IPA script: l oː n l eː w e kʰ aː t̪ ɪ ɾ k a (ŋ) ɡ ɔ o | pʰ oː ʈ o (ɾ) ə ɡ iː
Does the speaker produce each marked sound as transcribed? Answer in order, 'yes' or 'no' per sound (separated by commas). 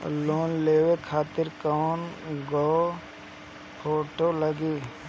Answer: no, no